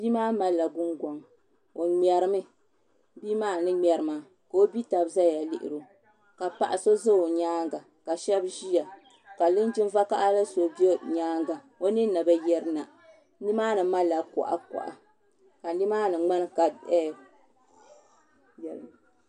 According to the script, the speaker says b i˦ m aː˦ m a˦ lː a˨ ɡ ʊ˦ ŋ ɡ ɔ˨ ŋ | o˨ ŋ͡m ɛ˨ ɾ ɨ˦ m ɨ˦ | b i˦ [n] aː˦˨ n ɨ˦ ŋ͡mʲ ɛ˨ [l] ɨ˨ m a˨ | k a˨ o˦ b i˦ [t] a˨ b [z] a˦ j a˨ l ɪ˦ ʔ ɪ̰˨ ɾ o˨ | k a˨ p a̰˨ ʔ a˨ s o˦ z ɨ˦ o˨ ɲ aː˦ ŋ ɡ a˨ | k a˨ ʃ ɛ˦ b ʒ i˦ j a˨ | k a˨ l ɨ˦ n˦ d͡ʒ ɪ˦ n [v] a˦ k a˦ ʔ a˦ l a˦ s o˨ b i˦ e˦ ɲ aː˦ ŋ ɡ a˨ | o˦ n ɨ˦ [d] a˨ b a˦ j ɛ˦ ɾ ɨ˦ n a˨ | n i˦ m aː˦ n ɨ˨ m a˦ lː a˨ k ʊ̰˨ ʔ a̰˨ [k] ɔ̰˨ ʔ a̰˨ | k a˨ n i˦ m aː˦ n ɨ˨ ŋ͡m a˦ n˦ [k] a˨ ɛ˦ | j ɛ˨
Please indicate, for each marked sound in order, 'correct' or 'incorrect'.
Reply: incorrect, incorrect, correct, correct, correct, incorrect, correct, correct

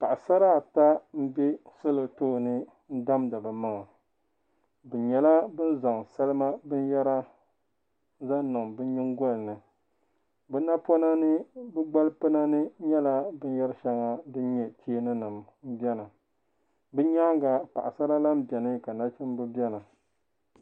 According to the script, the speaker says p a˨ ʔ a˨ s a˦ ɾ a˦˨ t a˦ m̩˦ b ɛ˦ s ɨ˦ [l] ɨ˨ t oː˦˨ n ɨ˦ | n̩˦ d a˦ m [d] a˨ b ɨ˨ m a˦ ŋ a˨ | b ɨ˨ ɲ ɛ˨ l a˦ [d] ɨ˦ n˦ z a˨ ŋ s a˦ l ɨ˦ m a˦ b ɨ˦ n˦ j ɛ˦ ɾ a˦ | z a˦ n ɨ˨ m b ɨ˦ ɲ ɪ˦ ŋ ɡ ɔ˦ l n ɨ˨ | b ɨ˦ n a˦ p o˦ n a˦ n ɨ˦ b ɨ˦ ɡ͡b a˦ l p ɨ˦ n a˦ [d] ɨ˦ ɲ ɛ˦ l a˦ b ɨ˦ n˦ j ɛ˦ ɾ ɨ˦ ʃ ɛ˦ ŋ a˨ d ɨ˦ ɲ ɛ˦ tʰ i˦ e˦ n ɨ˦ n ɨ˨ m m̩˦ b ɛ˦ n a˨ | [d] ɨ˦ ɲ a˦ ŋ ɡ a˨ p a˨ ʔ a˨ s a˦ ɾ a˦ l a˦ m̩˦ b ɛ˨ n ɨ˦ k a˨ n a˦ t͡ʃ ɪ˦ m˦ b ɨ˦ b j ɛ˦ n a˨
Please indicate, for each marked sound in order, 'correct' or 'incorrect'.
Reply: correct, correct, incorrect, incorrect, incorrect

